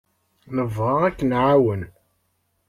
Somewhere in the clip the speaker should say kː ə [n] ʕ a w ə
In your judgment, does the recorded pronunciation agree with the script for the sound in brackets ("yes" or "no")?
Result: yes